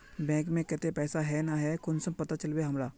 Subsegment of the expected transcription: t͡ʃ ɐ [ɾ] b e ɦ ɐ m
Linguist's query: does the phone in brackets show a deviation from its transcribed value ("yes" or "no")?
yes